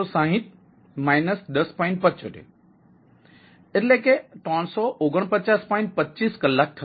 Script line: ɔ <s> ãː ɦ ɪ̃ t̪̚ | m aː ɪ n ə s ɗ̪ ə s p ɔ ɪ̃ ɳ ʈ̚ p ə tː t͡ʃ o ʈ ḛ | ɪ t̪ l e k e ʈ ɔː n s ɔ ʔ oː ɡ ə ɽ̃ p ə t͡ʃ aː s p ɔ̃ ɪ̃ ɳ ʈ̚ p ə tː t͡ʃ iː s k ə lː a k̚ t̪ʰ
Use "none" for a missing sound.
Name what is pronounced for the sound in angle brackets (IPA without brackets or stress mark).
s